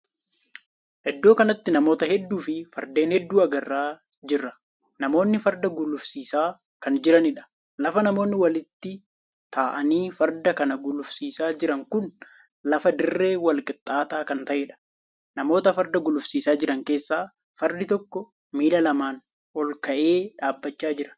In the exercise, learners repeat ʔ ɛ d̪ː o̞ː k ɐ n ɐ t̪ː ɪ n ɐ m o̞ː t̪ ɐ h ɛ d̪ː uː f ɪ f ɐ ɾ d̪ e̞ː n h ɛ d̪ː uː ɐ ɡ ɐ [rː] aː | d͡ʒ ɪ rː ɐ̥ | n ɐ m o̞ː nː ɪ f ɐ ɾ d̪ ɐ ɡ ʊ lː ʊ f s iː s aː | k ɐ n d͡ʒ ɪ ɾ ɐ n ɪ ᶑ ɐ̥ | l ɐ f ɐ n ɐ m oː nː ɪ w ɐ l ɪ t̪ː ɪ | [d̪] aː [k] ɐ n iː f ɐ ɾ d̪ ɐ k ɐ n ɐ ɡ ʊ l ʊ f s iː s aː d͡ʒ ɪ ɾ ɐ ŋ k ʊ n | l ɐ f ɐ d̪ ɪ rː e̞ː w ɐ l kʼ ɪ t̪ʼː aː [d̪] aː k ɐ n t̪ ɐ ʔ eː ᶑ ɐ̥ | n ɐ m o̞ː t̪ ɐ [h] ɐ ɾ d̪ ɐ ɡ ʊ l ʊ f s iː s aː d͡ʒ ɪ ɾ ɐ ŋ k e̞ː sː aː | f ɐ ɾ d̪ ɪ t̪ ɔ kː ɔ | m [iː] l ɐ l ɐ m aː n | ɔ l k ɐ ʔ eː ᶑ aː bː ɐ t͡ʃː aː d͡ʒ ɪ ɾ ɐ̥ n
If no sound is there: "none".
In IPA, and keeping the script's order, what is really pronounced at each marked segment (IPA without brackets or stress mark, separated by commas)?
rː, t̪, ʔ, t̪, f, iː